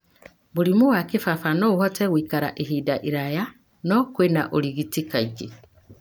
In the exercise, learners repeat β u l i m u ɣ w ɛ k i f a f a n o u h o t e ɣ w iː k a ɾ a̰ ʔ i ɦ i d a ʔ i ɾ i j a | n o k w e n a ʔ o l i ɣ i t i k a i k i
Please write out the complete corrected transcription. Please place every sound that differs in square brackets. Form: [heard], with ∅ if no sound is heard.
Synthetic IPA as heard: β u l i m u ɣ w [a] k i f a f a n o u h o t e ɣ w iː k a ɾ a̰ ʔ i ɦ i d a ʔ i ɾ [a] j a | n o k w e n a ʔ o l i ɣ i t i k a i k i